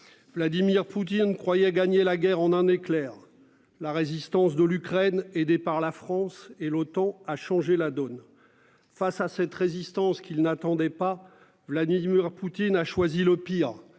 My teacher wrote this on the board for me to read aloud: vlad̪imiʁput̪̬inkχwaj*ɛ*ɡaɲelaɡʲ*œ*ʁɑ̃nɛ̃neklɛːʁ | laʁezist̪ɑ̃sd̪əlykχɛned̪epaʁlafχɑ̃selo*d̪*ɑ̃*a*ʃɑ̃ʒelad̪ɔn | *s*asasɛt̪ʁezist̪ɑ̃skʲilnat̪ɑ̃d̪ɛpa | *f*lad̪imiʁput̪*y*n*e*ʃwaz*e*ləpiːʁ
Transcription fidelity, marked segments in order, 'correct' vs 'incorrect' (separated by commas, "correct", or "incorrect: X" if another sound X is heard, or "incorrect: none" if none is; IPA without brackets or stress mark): correct, incorrect: ɛ, incorrect: t̪, correct, incorrect: f, incorrect: v, incorrect: i, incorrect: a, incorrect: i